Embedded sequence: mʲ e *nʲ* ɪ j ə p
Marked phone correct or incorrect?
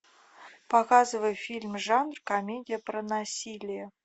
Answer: incorrect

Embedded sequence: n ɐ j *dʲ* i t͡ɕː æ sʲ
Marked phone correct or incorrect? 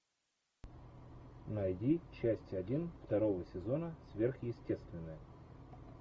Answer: correct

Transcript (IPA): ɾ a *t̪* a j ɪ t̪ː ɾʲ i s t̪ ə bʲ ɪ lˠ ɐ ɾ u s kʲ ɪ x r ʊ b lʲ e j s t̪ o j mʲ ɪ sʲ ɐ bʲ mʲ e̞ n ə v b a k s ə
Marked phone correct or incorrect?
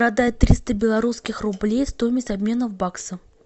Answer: incorrect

